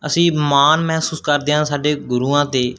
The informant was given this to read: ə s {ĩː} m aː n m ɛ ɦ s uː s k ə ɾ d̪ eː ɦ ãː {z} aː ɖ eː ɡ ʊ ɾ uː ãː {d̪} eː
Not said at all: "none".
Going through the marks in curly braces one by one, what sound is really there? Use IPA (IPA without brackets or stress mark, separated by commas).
ĩː, s, t̪